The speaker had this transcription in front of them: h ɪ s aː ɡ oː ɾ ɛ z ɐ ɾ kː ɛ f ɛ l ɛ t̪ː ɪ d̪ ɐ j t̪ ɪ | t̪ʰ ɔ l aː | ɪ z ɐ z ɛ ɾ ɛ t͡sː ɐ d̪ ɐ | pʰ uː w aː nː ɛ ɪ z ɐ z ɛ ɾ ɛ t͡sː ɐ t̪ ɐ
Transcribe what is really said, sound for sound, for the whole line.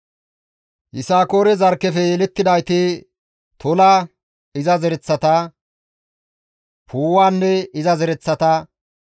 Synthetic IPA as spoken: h ɪ s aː k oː ɾ ɛ z ɐ ɾ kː ɛ f ɛ l ɛ t̪ː ɪ d̪ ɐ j t̪ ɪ | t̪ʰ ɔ l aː | ɪ z ɐ z ɛ ɾ ɛ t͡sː ɐ t̪ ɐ | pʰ uː w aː nː ɛ ɪ z ɐ z ɛ ɾ ɛ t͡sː ɐ t̪ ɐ